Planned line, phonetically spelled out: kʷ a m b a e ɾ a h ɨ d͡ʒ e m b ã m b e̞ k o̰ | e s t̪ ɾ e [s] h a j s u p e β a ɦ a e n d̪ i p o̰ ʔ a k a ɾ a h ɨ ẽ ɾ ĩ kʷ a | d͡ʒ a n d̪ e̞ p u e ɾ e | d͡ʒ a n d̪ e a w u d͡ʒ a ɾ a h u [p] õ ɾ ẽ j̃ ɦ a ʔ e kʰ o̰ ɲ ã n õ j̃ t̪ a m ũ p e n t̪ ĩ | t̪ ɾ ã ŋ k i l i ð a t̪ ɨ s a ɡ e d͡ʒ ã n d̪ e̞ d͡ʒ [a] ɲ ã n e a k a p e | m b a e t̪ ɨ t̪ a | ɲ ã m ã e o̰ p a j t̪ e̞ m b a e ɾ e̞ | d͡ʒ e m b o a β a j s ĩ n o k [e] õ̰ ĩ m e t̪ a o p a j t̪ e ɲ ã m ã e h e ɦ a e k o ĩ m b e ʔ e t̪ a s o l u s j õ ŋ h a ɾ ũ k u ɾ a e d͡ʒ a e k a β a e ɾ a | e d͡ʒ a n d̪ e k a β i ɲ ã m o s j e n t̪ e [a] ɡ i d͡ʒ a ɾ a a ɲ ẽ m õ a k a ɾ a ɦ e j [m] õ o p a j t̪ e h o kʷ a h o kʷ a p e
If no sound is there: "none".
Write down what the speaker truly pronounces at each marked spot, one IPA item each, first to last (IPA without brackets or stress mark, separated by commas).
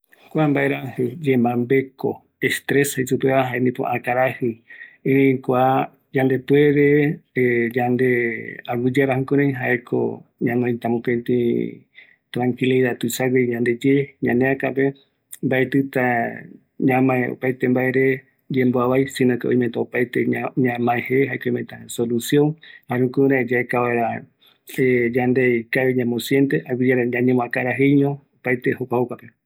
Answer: s, k, e, e, a, ɲ